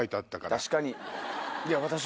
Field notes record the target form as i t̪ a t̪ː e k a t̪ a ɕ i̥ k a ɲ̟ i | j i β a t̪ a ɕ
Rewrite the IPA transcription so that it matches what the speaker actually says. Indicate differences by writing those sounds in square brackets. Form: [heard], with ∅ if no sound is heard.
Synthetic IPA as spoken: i t̪ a t̪ː [a] k a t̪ a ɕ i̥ k a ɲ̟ i | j [a] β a t̪ a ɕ